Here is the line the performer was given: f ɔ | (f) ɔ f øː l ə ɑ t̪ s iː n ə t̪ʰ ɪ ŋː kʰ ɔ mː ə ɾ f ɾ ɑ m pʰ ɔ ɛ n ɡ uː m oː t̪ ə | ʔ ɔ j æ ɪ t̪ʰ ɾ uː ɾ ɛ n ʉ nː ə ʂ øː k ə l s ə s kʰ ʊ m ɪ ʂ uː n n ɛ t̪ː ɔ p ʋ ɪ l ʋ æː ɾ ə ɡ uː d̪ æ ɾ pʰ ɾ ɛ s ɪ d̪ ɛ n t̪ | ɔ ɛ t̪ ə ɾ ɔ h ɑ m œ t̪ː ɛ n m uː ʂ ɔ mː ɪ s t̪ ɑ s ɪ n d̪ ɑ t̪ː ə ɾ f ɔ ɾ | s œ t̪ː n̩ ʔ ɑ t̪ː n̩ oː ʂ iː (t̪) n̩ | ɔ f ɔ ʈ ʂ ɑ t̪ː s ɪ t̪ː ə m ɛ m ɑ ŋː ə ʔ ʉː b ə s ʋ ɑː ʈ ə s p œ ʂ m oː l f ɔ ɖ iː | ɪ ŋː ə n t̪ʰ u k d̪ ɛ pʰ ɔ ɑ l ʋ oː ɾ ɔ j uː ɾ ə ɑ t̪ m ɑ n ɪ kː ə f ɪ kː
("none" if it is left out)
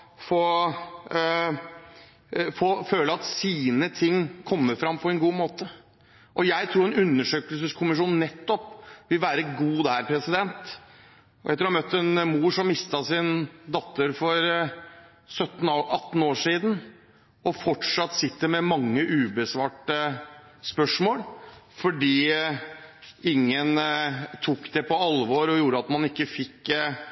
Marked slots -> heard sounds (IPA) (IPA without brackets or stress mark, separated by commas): f, d̪